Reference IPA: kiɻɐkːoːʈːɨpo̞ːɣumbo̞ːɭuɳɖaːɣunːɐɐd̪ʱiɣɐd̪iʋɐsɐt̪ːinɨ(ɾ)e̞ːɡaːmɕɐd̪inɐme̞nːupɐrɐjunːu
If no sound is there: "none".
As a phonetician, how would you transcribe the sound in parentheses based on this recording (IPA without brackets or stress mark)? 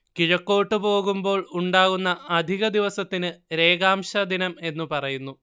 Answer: ɾ